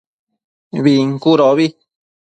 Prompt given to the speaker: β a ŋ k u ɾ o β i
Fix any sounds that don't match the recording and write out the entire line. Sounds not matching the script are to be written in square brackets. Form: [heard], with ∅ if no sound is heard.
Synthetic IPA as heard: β [i] ŋ k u ɾ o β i